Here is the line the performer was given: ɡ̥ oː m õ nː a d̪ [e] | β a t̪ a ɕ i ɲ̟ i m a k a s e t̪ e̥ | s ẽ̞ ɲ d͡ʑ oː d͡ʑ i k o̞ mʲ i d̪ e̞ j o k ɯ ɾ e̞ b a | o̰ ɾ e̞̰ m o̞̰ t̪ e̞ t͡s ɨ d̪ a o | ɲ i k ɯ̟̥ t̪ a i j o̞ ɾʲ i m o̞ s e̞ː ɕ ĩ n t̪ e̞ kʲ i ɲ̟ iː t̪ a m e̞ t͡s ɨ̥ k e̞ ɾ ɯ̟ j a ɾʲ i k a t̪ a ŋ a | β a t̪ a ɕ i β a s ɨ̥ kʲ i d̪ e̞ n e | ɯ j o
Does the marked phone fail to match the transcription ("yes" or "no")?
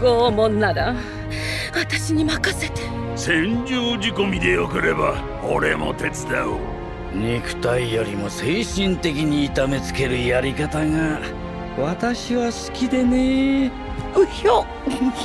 yes